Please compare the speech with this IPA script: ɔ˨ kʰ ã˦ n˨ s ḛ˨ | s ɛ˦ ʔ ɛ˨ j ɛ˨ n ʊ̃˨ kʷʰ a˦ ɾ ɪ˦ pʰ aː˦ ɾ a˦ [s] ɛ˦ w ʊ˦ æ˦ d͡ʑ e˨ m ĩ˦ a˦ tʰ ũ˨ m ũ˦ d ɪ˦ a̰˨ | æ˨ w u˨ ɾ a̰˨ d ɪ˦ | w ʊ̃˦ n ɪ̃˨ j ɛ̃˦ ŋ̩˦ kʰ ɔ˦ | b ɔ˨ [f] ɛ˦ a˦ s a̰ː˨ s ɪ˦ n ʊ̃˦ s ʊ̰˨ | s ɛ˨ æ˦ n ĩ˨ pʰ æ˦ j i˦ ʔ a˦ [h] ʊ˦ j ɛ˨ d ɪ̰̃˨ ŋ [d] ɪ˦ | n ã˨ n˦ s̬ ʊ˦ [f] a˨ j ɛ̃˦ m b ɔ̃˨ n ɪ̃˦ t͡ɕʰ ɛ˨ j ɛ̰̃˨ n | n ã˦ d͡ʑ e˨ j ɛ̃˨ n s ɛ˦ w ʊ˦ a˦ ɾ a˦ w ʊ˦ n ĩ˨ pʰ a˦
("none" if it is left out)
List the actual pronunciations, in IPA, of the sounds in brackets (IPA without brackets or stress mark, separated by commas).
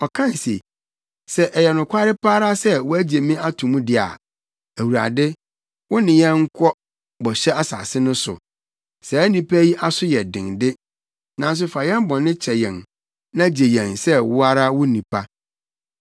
s, ɕ, s, d, f